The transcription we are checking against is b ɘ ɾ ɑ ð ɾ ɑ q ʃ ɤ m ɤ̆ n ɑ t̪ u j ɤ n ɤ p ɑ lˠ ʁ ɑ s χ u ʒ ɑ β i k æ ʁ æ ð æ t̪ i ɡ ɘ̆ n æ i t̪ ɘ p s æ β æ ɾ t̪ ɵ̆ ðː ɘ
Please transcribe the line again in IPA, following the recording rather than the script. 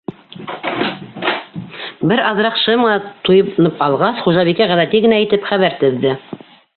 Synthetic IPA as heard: b ɘ ɾ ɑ ð ɾ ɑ q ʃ ɤ m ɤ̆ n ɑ t̪ u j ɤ n ɤ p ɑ lˠ ʁ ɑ s χ u ʒ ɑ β i k æ ʁ æ ð æ t̪ i ɡ ɘ̆ n æ i t̪ ɘ p χ æ β æ ɾ t̪ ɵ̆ ðː ɘ

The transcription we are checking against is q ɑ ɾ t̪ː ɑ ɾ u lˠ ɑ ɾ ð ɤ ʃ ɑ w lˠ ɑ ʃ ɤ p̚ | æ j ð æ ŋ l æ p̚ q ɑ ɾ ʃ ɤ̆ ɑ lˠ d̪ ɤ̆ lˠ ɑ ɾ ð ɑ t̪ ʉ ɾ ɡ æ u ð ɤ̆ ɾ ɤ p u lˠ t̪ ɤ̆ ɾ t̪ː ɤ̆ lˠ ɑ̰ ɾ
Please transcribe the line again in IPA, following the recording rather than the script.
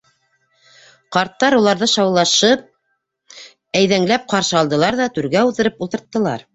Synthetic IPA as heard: q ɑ ɾ t̪ː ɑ ɾ u lˠ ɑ ɾ ð ɤ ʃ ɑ w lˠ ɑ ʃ ɤ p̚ | æ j ð æ ŋ l æ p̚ q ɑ ɾ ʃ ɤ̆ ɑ lˠ d̪ ɤ̆ lˠ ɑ ɾ ð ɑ t̪ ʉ ɾ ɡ æ u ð ɤ̆ ɾ ɤ p u lˠ t̪ ɤ̆ ɾ t̪ː ɤ̆ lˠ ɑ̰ ɾ

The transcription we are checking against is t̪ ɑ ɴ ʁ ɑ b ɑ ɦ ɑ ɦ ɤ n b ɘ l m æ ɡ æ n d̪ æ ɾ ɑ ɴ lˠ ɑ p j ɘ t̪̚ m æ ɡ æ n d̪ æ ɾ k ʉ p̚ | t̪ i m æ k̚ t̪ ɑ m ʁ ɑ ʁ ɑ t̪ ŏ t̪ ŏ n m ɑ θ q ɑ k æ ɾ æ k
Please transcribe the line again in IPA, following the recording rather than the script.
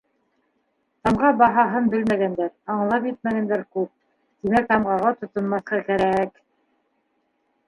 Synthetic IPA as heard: t̪ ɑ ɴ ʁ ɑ b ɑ ɦ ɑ ɦ ɤ n b ɘ l m æ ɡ æ n d̪ æ ɾ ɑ ɴ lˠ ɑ p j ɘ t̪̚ m æ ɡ æ n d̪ æ ɾ k ʉ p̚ | t̪ i m æ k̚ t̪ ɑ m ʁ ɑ ʁ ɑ t̪ ŏ t̪ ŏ n m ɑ θ q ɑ k æ ɾ æ k

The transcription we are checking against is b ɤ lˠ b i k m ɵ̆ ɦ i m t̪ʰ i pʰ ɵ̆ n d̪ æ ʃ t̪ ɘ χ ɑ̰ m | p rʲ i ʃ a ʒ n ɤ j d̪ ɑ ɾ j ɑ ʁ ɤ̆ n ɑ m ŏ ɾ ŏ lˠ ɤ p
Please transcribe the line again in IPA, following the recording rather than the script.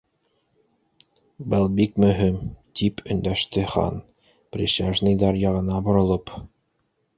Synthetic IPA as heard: b ɤ lˠ b i k m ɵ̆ ɦ i m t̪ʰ i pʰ ɵ̆ n d̪ æ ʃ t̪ ɘ χ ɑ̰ n | p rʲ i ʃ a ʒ n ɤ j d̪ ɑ ɾ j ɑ ʁ ɤ̆ n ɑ b ŏ ɾ ŏ lˠ ɤ p

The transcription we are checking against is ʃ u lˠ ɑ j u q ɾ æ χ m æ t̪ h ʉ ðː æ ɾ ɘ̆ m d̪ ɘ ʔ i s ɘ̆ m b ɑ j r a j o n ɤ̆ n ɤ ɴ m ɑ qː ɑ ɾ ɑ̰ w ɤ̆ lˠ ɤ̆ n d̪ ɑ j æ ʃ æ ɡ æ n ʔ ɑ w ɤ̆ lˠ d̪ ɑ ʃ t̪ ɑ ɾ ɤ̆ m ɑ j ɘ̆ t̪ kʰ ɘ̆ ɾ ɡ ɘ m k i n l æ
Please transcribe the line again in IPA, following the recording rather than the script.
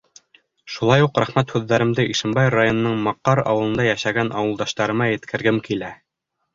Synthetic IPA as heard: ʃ u lˠ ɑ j u q ɾ æ χ m æ t̪ h ʉ ðː æ ɾ ɘ̆ m d̪ ɘ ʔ i ʃ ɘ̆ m b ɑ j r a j o n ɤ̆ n ɤ ɴ m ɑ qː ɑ ɾ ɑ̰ w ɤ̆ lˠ ɤ̆ n d̪ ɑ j æ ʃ æ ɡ æ n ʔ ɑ w ɤ̆ lˠ d̪ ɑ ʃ t̪ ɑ ɾ ɤ̆ m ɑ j ɘ̆ t̪ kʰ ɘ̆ ɾ ɡ ɘ m k i l æ

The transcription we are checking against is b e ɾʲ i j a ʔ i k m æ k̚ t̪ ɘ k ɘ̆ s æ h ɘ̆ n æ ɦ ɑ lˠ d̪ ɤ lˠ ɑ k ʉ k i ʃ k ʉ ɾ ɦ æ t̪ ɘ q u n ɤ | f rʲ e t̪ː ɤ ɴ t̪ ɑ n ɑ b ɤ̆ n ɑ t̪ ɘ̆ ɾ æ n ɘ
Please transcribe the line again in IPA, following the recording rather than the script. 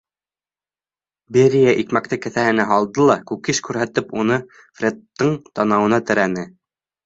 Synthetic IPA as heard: b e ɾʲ i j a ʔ i k m æ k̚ t̪ ɘ k ɘ̆ θ æ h ɘ̆ n æ ɦ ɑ lˠ d̪ ɤ lˠ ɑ k ʉ k i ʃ k ʉ ɾ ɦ æ t̪ ɘ p u n ɤ | f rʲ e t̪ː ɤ ɴ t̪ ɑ n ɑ w ɤ̆ n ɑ t̪ ɘ̆ ɾ æ n ɘ

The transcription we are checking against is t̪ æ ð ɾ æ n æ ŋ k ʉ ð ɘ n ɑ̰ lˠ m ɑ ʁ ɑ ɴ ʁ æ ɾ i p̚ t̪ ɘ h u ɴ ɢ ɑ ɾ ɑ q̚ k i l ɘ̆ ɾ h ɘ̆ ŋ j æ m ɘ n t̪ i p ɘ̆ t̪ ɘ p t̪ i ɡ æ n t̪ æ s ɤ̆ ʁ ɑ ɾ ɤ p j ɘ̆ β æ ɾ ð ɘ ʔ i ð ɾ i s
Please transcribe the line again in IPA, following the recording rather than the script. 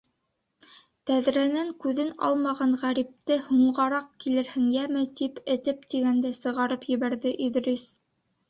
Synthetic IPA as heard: t̪ æ ð ɾ æ n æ ŋ k ʉ ð ɘ n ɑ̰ lˠ m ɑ ʁ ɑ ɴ ʁ æ ɾ i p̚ t̪ ɘ h u ɴ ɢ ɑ ɾ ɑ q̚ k i l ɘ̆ ɾ h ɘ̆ ŋ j æ m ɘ t̪ i p ɘ̆ t̪ ɘ p t̪ i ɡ æ n d̪ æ s ɤ̆ ʁ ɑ ɾ ɤ p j ɘ̆ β æ ɾ ð ɘ ʔ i ð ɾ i s

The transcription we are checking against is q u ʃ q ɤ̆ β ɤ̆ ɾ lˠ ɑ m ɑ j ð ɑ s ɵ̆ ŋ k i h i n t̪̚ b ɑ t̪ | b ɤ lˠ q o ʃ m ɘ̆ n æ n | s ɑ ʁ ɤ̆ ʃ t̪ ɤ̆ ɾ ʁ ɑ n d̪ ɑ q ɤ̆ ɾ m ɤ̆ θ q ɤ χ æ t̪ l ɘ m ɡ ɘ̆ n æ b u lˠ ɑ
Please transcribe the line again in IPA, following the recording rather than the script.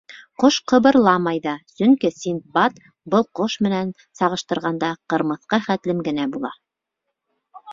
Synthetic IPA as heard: q o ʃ q ɤ̆ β ɤ̆ ɾ lˠ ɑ m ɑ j ð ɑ s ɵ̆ ŋ k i s i n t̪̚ b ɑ t̪ | b ɤ lˠ q o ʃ m ɘ̆ n æ n | s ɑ ʁ ɤ̆ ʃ t̪ ɤ̆ ɾ ʁ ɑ n d̪ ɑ q ɤ̆ ɾ m ɤ̆ θ q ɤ χ æ t̪ l ɘ m ɡ ɘ̆ n æ b u lˠ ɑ

